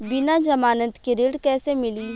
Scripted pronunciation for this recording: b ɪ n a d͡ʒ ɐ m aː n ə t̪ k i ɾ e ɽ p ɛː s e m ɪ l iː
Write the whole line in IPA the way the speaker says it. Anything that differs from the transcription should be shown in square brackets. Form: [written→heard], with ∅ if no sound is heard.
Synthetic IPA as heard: b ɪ n a d͡ʒ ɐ m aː n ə t̪ k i ɾ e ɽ [p→k] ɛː s e m ɪ l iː